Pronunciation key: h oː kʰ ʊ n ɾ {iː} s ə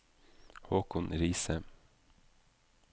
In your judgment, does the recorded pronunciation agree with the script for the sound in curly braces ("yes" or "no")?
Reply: yes